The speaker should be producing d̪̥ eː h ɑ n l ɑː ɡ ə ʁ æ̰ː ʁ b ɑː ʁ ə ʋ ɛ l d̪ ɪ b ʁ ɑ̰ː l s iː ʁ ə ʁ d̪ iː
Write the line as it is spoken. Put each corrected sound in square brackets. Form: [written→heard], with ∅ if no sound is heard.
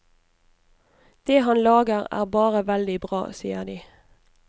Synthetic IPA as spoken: d̪̥ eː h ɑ n l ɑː ɡ ə ʁ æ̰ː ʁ b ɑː ʁ ə ʋ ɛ l d̪ ɪ b ʁ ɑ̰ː [l→∅] s iː [ʁ→∅] ə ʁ d̪ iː